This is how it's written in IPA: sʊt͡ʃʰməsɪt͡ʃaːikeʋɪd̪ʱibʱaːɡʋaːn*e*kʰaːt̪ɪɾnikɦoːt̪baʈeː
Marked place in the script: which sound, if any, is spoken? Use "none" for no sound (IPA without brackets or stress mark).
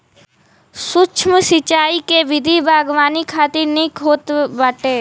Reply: i